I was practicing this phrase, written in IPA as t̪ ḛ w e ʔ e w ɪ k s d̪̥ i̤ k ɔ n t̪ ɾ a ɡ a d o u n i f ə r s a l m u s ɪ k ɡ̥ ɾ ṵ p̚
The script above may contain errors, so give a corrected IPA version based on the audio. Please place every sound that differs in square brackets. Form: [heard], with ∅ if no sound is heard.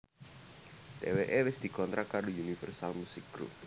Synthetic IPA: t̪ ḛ w e ʔ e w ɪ [∅] s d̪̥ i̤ k ɔ n t̪ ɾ a [k] a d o u n i f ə r s a l m u s ɪ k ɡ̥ ɾ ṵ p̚